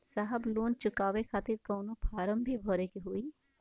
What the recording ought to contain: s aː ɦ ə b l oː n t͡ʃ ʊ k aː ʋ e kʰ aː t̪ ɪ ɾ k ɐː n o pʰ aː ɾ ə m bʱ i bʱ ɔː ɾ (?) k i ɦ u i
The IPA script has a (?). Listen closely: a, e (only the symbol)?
e